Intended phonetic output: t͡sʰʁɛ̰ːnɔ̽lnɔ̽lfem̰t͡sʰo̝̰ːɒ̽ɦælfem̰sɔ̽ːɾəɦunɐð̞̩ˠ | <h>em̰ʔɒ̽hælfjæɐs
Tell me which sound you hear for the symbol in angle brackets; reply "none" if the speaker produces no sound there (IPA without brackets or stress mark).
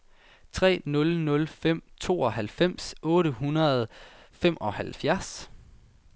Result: f